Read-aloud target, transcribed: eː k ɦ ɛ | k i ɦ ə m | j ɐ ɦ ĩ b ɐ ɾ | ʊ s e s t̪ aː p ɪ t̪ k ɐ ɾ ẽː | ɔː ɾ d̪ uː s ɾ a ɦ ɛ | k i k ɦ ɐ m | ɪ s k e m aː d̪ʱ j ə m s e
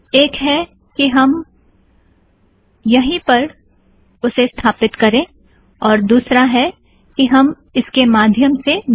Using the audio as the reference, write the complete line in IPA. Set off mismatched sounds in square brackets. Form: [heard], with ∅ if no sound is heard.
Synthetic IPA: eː k ɦ ɛ | k i ɦ [ɐ] m | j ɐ ɦ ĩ [p] ɐ ɾ | ʊ s e s [t̪ʰ] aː p ɪ t̪ k ɐ ɾ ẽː | ɔː ɾ d̪ uː s ɾ a ɦ ɛ | k i [∅] ɦ ɐ m | ɪ s k e m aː d̪ʱ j ə m s e